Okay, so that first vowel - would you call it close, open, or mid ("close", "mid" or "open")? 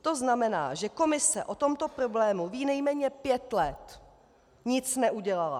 mid